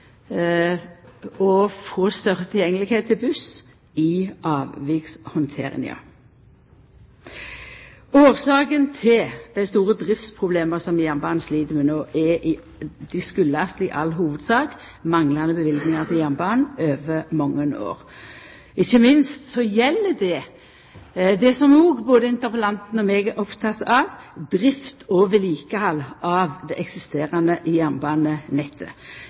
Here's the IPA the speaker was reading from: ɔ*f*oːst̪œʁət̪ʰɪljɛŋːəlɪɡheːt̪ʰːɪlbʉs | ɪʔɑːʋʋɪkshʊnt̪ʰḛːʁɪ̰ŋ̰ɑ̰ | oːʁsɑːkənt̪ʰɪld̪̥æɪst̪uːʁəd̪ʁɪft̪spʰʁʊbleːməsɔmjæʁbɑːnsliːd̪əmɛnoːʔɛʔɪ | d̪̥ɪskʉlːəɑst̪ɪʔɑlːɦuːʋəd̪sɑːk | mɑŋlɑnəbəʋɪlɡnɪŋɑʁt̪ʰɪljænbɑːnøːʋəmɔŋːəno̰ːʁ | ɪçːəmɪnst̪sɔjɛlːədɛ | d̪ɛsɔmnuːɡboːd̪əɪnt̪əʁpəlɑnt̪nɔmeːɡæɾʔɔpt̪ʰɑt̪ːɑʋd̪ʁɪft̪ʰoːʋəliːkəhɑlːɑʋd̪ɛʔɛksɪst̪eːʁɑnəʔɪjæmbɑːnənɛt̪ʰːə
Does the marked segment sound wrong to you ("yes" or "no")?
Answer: no